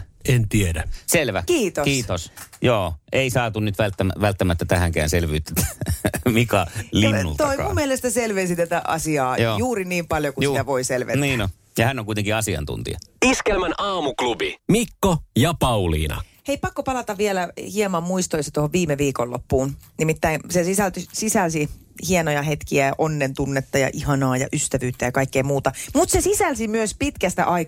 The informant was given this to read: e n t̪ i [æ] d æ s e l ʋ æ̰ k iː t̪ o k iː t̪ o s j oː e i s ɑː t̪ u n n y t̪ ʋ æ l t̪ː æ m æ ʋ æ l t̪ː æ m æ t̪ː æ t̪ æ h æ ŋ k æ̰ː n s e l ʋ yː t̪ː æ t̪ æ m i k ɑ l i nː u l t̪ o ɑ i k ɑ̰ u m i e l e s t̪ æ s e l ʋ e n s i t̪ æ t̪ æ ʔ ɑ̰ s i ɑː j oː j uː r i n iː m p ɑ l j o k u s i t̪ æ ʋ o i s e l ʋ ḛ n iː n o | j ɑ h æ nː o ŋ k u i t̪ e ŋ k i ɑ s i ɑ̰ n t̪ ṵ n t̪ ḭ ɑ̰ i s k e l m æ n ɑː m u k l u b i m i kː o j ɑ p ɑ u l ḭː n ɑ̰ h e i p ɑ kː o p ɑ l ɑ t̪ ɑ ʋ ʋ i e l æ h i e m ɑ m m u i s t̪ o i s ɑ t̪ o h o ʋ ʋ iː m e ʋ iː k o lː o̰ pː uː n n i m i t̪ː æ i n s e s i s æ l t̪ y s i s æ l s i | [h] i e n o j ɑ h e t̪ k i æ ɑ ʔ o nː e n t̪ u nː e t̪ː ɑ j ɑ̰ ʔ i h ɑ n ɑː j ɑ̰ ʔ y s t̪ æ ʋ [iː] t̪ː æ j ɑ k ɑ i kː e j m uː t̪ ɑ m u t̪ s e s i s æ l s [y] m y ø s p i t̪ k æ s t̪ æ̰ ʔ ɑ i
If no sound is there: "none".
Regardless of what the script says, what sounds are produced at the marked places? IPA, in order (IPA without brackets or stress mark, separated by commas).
e, h, yː, i